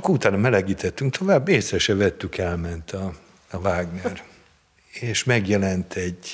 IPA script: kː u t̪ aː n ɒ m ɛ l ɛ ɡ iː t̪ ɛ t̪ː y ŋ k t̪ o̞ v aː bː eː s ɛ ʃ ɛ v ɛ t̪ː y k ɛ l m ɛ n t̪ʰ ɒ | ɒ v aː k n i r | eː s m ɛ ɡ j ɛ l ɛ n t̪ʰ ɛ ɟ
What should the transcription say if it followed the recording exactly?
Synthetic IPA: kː u t̪ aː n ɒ m ɛ l ɛ ɡ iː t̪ ɛ t̪ː y ŋ k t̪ o̞ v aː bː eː s ɛ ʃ ɛ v ɛ t̪ː y k ɛ l m ɛ n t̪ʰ ɒ | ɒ v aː ɡ n ɛ r | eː ʃ m ɛ ɡ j ɛ l ɛ n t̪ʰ ɛ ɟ